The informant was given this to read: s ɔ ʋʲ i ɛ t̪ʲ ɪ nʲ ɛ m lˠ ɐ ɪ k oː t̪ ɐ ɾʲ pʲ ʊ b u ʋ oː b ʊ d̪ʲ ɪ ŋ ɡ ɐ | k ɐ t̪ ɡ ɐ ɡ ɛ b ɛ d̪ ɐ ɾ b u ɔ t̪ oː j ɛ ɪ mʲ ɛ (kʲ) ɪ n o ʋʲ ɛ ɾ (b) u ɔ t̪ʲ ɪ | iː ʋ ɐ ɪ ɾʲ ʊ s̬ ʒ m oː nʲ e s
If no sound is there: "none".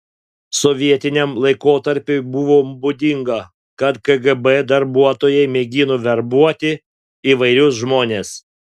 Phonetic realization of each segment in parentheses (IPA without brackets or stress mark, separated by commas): ɡʲ, b